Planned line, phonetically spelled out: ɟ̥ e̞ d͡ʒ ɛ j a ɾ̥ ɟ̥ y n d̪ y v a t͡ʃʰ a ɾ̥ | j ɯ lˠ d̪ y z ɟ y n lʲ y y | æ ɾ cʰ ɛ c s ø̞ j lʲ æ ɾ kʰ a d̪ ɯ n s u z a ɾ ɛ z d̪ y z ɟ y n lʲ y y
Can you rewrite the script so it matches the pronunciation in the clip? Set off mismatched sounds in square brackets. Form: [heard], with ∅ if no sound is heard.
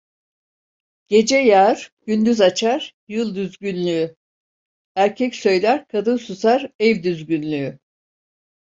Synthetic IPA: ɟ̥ e̞ d͡ʒ ɛ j a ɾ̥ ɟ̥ y n d̪ y [z] a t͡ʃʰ a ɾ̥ | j ɯ lˠ d̪ y z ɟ y n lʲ y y | æ ɾ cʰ ɛ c s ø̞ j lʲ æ ɾ kʰ a d̪ ɯ n s u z a ɾ ɛ [v] d̪ y z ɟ y n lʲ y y